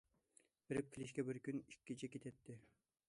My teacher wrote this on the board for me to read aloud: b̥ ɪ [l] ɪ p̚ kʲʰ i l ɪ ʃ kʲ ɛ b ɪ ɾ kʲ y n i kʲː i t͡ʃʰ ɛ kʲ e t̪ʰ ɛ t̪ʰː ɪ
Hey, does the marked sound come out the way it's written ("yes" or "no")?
no